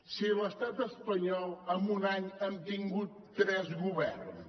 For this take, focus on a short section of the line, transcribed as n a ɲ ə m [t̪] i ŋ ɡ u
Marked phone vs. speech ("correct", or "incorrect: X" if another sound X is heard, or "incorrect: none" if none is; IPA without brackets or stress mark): correct